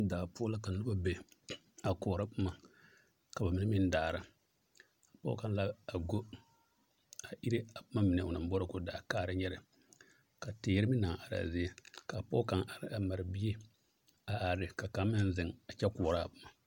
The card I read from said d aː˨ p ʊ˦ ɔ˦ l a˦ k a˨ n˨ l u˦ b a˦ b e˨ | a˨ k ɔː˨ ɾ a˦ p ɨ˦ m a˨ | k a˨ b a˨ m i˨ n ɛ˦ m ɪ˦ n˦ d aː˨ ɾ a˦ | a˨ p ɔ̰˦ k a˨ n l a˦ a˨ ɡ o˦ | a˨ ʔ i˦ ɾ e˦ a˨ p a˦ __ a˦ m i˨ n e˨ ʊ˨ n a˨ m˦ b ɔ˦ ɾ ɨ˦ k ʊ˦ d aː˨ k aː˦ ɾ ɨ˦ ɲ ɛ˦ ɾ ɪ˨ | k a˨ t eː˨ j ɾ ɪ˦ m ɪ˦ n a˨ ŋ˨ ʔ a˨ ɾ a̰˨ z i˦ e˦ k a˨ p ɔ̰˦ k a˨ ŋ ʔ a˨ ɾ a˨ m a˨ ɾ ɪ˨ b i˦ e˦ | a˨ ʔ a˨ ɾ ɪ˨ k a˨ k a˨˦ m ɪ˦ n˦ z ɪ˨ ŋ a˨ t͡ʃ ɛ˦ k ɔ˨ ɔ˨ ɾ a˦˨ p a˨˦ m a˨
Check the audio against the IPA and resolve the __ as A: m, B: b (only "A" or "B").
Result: A